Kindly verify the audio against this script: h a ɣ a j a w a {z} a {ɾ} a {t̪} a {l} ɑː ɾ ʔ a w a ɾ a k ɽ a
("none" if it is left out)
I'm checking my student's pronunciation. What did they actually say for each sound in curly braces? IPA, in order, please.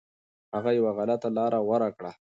ɣ, l, t̪, l

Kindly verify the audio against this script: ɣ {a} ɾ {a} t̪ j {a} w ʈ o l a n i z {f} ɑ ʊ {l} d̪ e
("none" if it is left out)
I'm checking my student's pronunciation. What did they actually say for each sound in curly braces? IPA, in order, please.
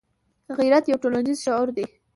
i, a, a, ʃ, ɾ

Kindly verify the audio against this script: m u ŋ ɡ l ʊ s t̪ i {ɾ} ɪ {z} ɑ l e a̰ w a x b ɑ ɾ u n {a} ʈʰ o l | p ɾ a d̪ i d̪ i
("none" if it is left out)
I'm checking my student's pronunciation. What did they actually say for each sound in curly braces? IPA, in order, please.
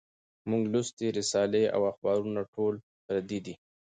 ɾ, s, a

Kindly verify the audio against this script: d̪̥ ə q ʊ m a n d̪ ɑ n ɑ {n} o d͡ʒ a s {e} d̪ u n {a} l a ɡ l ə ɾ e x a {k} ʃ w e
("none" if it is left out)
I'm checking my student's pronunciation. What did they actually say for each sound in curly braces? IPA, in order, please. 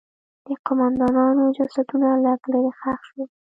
n, a, a, x

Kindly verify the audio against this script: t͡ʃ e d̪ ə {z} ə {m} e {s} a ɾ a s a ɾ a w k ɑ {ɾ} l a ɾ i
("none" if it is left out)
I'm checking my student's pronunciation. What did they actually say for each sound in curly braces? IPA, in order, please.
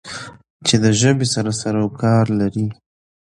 ʒ, b, s, ɾ

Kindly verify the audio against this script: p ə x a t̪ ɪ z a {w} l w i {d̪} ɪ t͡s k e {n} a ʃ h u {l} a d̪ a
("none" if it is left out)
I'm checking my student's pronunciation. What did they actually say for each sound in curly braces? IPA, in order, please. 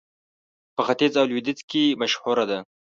w, d̪, m, ɾ

